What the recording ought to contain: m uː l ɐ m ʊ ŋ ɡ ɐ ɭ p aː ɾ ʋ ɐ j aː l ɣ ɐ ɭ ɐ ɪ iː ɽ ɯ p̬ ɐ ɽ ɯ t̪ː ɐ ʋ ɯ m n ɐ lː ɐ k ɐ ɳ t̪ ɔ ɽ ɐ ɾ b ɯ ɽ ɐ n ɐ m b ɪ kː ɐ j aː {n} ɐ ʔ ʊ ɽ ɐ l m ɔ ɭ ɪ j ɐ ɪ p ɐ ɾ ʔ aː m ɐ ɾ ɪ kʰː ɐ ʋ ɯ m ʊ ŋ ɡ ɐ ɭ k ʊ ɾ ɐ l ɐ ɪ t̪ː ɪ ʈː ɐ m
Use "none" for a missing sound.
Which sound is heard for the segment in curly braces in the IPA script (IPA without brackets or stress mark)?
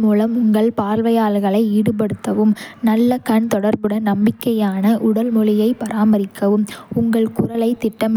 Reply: n